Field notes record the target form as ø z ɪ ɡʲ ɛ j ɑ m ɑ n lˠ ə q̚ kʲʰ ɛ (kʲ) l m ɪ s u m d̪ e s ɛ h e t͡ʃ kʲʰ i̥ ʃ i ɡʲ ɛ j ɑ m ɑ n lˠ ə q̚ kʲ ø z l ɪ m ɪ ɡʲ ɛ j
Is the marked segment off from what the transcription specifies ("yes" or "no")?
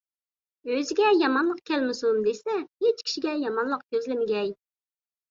yes